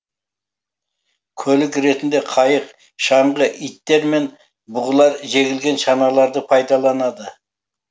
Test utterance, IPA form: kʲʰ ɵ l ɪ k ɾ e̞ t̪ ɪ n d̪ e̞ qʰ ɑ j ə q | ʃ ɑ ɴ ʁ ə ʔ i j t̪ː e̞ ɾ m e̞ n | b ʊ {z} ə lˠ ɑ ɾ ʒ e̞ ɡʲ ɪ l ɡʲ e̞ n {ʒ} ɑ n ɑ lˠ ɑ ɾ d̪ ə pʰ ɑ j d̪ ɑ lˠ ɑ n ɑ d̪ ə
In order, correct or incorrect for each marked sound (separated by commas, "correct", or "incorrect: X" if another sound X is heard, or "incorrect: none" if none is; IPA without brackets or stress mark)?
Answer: incorrect: ʁ, incorrect: ʃ